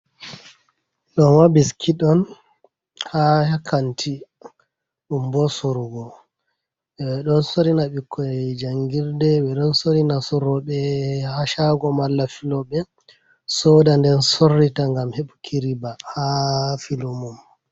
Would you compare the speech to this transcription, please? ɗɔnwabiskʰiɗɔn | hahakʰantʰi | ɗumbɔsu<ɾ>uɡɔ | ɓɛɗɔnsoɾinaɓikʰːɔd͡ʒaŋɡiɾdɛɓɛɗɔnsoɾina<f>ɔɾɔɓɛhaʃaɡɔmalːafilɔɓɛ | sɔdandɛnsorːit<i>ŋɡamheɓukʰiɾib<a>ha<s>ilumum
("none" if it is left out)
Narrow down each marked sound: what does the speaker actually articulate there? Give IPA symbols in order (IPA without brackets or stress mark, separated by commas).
ɾ, s, a, a, f